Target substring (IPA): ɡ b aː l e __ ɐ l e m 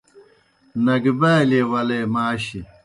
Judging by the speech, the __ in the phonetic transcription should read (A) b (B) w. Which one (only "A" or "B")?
B